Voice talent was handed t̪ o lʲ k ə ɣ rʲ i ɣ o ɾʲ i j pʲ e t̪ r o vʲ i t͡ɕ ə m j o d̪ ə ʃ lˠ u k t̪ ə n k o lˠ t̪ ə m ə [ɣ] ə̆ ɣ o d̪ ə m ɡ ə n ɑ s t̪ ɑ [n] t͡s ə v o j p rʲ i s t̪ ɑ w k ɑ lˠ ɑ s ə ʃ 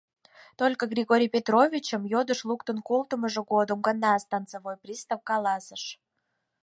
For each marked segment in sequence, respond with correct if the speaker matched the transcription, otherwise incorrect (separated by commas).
incorrect, correct